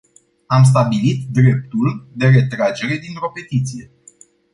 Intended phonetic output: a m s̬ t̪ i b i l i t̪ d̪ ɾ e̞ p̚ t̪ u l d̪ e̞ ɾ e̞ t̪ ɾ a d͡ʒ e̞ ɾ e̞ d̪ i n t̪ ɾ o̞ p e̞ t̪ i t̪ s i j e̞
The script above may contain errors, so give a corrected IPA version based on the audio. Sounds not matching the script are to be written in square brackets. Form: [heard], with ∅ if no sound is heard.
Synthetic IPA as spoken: a m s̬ t̪ [a] b i l i t̪ d̪ ɾ e̞ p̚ t̪ u l d̪ e̞ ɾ e̞ t̪ ɾ a d͡ʒ e̞ ɾ e̞ d̪ i n t̪ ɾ o̞ p e̞ t̪ i t̪ s i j e̞